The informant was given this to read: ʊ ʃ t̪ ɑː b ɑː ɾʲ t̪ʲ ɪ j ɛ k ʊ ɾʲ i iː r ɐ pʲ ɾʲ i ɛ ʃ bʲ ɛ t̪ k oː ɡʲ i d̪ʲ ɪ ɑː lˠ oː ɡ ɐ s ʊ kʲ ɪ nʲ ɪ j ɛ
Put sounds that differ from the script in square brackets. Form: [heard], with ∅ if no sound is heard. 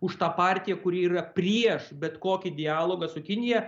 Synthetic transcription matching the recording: ʊ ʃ t̪ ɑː [p] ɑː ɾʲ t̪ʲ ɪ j ɛ k ʊ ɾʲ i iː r ɐ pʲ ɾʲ i ɛ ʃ bʲ ɛ t̪ k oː [kʲ] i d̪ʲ ɪ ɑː lˠ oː ɡ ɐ s ʊ kʲ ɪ nʲ ɪ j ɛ